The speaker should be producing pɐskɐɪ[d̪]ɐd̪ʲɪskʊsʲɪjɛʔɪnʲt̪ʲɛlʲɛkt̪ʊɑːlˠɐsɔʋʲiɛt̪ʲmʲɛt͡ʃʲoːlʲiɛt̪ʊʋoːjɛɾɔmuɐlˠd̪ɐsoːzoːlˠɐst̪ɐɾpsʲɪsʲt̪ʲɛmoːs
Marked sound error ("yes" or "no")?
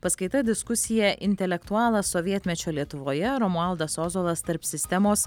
yes